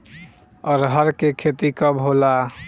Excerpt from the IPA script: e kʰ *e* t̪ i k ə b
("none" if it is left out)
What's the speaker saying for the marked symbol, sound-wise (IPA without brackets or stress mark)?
e